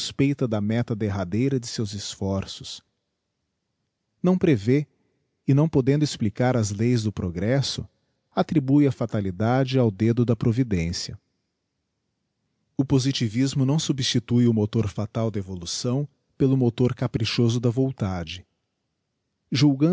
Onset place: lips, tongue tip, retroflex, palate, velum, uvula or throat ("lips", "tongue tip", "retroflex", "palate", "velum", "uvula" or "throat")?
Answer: tongue tip